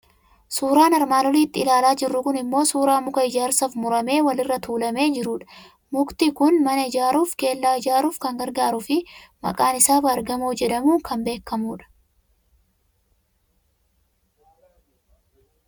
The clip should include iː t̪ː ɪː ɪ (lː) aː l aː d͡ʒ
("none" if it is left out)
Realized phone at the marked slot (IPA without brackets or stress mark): l